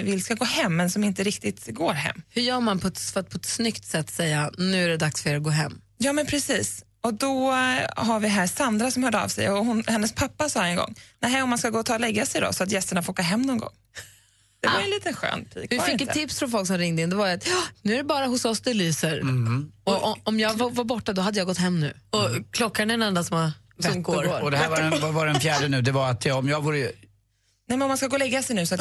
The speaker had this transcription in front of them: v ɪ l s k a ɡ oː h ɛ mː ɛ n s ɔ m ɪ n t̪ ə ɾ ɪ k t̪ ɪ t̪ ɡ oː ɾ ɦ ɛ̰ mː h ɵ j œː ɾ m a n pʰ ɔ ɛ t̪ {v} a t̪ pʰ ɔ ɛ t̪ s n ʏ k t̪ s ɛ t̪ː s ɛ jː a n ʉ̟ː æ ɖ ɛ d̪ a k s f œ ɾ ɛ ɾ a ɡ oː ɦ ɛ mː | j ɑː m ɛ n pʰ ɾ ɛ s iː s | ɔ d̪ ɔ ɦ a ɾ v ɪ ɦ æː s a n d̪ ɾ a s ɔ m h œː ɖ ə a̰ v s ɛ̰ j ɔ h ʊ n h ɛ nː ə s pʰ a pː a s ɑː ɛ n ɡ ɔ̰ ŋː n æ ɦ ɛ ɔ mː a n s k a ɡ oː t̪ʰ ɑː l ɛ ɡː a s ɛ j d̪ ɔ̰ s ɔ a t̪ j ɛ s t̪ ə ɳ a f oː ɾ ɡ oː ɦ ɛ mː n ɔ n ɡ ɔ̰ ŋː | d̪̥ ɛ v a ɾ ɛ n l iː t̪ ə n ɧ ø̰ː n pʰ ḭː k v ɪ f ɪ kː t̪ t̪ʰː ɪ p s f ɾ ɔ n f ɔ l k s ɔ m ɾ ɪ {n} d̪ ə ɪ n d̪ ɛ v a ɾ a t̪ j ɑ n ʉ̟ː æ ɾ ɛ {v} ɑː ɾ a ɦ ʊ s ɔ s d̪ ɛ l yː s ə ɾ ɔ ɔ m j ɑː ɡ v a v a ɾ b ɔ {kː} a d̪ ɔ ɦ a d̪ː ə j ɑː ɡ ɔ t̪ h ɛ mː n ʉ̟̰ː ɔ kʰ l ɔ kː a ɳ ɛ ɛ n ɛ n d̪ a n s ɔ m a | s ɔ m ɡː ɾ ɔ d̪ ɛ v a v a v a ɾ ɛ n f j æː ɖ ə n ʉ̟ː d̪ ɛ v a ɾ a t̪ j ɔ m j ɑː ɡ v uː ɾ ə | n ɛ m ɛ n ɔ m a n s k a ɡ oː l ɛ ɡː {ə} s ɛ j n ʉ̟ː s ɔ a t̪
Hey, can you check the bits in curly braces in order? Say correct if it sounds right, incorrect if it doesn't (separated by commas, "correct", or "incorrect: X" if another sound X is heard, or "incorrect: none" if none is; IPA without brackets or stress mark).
incorrect: f, incorrect: ŋ, incorrect: b, incorrect: ʈː, incorrect: a